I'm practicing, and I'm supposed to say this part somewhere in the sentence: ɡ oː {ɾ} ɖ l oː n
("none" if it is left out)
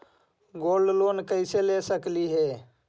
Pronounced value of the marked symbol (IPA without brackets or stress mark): l